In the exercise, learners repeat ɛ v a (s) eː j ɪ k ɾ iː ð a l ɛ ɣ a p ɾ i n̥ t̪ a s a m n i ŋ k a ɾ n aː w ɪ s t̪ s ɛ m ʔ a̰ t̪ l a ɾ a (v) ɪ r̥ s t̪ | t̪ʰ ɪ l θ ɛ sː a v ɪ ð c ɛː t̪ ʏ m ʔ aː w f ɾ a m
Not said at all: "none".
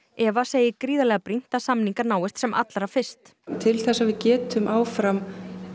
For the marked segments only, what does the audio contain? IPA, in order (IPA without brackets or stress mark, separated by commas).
s, f